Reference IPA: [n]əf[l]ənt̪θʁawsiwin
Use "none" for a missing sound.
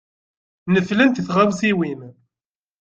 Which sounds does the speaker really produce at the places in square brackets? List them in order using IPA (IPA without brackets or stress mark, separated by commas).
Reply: n, l